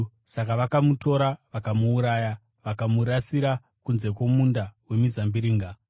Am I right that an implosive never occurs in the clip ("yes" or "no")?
yes